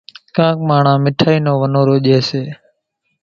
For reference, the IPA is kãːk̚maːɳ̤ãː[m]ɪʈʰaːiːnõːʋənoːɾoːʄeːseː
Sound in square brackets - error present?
no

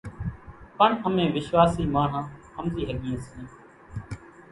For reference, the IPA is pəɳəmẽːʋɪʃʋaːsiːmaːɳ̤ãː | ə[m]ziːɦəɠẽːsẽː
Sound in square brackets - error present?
no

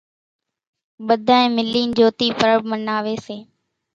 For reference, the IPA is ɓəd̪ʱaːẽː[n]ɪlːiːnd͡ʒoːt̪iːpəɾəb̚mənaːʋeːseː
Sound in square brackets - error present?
yes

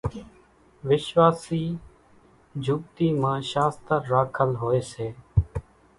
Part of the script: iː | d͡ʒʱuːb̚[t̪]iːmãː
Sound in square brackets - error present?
no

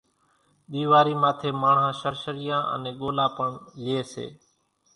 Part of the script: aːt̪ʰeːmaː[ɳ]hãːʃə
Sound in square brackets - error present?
no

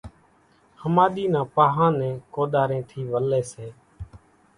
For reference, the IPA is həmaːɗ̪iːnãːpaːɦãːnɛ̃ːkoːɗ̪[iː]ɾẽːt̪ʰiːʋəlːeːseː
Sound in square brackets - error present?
yes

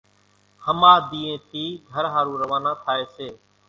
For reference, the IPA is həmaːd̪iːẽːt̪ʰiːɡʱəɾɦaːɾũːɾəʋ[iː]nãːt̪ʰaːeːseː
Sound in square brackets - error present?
yes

